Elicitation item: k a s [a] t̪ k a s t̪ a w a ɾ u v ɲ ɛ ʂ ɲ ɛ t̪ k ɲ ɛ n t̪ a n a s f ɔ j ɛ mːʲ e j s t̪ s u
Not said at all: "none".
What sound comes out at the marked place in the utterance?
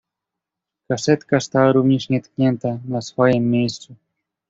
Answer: ɛ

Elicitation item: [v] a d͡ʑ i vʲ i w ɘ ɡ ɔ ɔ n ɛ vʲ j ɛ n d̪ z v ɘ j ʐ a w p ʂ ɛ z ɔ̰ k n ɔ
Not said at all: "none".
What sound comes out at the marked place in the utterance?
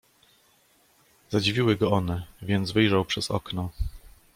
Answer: z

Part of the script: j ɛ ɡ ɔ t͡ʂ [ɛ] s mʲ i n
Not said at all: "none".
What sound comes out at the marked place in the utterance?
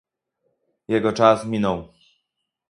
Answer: a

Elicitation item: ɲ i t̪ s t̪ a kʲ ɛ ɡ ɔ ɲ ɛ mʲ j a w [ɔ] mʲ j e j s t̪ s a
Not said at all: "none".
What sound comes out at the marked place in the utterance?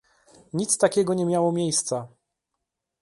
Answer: ɔ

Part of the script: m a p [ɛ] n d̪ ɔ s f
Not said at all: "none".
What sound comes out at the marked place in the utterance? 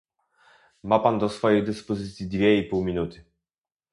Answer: a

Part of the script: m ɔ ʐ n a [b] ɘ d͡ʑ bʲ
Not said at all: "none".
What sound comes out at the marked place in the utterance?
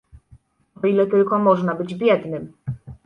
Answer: b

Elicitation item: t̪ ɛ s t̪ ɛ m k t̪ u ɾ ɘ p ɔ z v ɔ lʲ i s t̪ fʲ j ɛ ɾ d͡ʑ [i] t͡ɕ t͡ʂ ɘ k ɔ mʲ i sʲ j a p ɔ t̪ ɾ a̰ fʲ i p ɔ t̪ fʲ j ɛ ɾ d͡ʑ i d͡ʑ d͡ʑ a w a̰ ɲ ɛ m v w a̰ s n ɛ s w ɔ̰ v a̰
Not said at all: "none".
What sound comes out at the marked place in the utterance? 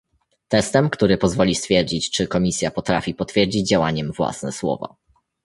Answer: i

